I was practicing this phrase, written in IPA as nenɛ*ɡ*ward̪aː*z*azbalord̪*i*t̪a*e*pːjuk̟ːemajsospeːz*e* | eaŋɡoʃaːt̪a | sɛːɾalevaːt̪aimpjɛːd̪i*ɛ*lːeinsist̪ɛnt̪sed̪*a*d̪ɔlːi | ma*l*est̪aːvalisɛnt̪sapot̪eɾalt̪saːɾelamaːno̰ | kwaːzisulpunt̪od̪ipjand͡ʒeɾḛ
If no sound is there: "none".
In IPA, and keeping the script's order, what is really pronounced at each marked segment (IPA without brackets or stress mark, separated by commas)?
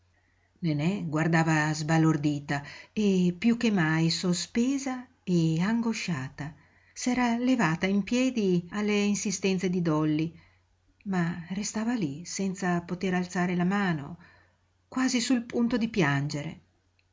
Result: ɡ, v, iː, e, a, a, i, r